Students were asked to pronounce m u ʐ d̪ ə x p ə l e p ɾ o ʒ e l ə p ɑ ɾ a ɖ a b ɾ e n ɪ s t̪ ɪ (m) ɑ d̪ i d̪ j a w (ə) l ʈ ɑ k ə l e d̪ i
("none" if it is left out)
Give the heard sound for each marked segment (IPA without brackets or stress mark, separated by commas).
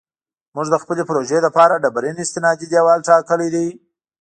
n, ɑ